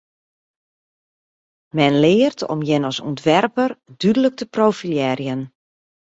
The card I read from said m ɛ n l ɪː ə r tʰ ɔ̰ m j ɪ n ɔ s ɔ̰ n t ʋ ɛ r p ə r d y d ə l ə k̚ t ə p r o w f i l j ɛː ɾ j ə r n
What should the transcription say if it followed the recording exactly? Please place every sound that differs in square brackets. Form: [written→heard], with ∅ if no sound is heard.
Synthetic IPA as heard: m ɛ n l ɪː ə r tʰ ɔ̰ m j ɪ n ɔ s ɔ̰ n t ʋ ɛ r p ə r d y d ə l ə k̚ t ə p r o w f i l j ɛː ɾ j ə [r→∅] n